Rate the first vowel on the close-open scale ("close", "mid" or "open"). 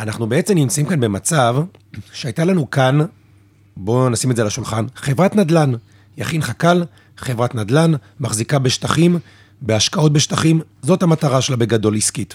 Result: open